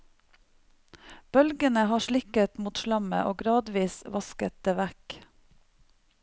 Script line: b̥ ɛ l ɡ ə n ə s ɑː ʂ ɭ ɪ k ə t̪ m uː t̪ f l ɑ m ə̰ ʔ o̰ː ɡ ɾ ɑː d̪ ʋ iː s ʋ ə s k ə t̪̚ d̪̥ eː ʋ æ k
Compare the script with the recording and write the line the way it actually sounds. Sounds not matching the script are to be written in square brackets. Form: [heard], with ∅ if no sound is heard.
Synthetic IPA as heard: b̥ [œ] l ɡ ə n ə [h] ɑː [ʃ] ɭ ɪ k ə t̪ m uː t̪ [ʃ] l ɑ m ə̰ ʔ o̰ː ɡ ɾ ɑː d̪ ʋ iː s ʋ [ɑ] s k ə t̪̚ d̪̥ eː ʋ æ k